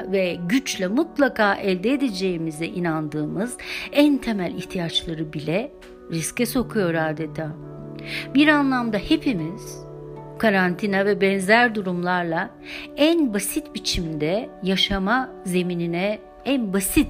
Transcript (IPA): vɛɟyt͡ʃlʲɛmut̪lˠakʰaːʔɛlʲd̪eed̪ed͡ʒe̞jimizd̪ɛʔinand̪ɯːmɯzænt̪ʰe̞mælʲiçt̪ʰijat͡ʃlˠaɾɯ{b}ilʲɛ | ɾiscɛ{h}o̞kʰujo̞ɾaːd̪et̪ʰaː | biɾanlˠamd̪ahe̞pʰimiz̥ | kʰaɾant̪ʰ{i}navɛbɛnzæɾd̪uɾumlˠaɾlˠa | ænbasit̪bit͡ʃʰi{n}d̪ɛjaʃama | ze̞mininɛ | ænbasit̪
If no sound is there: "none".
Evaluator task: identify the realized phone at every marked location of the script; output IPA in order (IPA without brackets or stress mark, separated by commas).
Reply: b, s, i, m